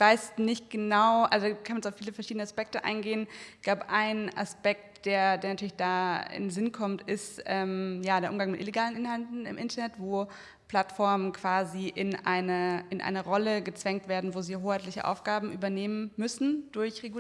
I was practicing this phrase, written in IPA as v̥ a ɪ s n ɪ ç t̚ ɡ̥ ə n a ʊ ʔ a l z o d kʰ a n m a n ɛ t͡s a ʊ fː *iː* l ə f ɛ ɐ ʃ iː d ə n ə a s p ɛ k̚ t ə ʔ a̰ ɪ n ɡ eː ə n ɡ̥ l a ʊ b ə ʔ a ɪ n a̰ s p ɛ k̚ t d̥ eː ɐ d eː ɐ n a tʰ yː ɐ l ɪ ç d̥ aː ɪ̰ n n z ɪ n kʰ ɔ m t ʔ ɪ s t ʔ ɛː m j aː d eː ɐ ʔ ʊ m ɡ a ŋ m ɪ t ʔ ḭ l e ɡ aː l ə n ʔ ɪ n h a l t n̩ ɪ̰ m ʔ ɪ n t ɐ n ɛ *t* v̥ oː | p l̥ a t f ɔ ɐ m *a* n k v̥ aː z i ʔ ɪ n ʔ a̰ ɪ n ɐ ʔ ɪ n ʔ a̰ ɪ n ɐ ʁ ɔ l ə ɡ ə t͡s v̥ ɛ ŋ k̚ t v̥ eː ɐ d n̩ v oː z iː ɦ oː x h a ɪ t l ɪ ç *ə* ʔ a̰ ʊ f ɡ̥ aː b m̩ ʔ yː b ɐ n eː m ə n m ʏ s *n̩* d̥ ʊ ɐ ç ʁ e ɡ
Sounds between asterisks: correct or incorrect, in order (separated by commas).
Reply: correct, correct, incorrect, correct, correct